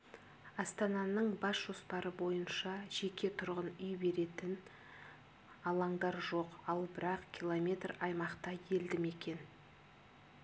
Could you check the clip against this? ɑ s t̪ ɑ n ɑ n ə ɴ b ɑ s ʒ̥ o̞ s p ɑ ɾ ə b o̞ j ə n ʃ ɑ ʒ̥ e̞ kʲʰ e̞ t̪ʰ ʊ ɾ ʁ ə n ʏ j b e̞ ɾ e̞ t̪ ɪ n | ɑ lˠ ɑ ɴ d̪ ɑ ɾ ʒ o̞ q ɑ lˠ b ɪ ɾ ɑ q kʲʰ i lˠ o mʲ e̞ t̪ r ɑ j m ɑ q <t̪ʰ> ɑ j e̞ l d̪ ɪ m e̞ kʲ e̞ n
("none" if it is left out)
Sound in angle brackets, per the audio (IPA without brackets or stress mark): t̪